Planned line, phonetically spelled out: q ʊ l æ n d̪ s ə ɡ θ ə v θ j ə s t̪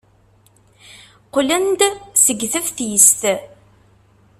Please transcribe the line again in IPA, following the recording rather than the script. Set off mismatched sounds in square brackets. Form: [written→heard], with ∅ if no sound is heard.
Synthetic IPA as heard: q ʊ l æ n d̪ s ə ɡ θ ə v θ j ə s t̪